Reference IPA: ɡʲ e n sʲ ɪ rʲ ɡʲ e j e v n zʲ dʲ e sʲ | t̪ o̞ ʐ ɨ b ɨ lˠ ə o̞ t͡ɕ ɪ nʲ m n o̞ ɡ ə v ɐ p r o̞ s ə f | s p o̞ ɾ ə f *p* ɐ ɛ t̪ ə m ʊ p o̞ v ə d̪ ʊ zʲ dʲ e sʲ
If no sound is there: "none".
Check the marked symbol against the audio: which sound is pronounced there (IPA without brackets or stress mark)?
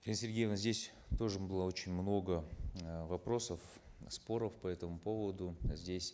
p